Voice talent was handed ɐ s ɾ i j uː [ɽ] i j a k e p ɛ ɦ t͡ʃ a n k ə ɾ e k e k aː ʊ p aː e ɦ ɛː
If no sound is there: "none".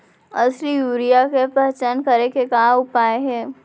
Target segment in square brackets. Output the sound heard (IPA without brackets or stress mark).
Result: ɾ